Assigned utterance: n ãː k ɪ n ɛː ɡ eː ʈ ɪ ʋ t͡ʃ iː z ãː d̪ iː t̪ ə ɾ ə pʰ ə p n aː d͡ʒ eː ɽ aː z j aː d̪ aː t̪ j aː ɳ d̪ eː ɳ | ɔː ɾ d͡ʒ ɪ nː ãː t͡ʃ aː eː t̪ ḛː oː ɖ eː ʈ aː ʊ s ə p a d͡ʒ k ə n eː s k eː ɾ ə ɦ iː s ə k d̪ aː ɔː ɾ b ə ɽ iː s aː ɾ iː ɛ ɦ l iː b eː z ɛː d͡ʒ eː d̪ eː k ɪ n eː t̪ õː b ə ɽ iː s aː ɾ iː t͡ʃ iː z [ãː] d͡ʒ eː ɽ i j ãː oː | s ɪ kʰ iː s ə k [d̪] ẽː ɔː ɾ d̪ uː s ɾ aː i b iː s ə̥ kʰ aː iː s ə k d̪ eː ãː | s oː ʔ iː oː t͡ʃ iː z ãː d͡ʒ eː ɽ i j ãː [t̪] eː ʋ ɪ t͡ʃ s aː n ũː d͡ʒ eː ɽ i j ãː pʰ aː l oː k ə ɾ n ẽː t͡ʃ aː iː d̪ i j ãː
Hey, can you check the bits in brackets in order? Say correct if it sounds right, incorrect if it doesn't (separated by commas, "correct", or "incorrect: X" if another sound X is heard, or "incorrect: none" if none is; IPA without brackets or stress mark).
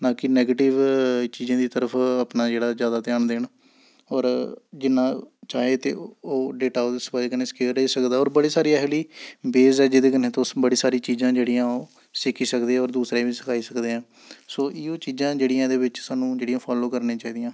correct, correct, incorrect: d̪